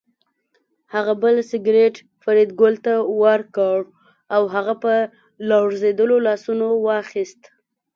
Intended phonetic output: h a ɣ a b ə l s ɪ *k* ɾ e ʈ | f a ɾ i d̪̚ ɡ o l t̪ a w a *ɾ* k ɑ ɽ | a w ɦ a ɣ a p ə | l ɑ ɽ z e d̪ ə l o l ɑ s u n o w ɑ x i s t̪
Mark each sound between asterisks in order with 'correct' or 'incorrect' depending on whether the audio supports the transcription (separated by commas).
incorrect, correct